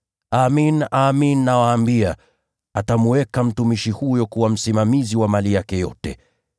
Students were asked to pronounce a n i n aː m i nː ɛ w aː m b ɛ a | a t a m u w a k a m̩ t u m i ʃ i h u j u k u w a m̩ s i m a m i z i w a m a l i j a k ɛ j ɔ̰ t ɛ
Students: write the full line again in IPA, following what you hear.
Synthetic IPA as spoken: a m i n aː m i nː a w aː m b i a | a t a m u w ɛ k a m̩ t u m i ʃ i h u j ɔ k u w a m̩ s i m a m i z i w a m a l i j a k ɛ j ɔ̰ t ɛ

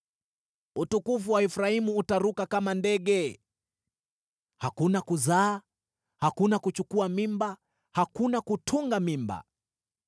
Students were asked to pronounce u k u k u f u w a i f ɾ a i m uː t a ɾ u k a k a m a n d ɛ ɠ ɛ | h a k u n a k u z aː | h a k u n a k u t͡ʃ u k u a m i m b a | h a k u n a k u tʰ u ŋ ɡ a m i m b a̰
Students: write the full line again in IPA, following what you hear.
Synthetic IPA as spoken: u t u k u f u w a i f ɾ a i m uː t a ɾ u k a k a m a n d ɛ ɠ ɛ | h a k u n a k u z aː | h a k u n a k u t͡ʃ u k u a m i m b a | h a k u n a k u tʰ u ŋ ɡ a m i m b a̰

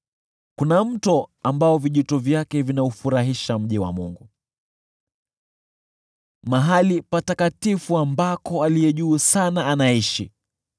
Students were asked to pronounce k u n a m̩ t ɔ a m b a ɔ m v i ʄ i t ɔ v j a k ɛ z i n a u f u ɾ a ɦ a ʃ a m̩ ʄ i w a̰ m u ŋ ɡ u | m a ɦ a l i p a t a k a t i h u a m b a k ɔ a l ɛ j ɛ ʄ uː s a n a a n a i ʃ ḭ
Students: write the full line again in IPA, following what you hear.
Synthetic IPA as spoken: k u n a m̩ t ɔ a m b a ɔ v i ʄ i t ɔ v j a k ɛ v i n a u f u ɾ a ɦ i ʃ a m̩ ʄ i w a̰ m u ŋ ɡ u | m a ɦ a l i p a t a k a t i f u a m b a k ɔ a l i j ɛ ʄ uː s a n a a n a i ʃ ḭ

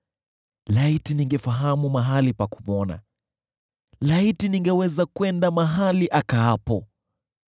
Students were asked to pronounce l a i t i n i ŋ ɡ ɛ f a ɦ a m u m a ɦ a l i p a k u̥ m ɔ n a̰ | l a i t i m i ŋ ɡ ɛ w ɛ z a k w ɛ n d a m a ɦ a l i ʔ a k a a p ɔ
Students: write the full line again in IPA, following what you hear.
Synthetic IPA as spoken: l a i t i n i ŋ ɡ ɛ f a ɦ a m u m a ɦ a l i p a k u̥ m ɔ n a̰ | l a i t i n i ŋ ɡ ɛ w ɛ z a k w ɛ n d a m a ɦ a l i ʔ a k a a p ɔ

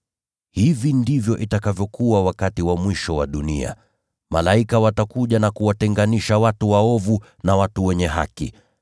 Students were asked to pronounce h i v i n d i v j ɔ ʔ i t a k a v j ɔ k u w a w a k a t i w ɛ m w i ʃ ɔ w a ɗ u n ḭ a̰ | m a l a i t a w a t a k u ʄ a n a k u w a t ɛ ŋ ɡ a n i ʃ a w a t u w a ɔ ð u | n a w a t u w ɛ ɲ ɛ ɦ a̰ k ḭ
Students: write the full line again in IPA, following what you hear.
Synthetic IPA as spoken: h i v i n d i v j ɔ ʔ i t a k a v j ɔ k u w a w a k a t i w a m w i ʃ ɔ w a ɗ u n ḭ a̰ | m a l a i k a w a t a k u ʄ a n a k u w a t ɛ ŋ ɡ a n i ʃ a w a t u w a ɔ v u | n a w a t u w ɛ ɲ ɛ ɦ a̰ k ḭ

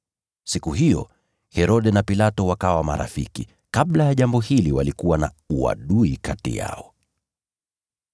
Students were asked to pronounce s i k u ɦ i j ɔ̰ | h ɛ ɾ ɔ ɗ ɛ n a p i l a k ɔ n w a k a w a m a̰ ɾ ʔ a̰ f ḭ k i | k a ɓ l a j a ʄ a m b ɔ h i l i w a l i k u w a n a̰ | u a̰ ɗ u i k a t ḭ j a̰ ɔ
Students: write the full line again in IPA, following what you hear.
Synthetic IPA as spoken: s i k u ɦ i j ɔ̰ | h ɛ ɾ ɔ ɗ ɛ n a p i l a t ɔ w a k a w a m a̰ ɾ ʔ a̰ f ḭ k i | k a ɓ l a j a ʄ a m b ɔ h i l i w a l i k u w a n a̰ | u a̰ ɗ u i k a t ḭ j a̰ ɔ

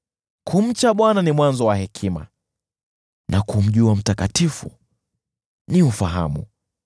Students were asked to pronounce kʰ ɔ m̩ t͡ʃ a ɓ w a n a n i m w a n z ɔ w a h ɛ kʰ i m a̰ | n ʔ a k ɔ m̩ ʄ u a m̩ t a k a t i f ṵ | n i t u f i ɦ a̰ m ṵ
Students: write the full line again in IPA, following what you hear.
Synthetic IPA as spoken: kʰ u m̩ t͡ʃ a ɓ w a n a n i m w a n z ɔ w a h ɛ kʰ i m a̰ | n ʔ a k u m̩ ʄ u a m̩ t a k a t i f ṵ | n i u f a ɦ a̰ m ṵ

